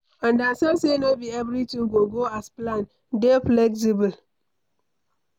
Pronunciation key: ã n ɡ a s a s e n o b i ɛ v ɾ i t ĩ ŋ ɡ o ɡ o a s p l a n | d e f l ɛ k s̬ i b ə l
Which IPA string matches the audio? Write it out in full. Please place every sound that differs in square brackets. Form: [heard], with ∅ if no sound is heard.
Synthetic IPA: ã n [d] a s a s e n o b i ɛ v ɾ i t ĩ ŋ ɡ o ɡ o a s p l a n | d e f l ɛ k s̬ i b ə l